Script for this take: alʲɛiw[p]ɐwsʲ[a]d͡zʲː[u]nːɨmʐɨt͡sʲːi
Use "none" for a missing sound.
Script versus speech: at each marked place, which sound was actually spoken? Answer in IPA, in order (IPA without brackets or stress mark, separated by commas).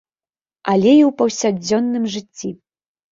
p, a, ɔ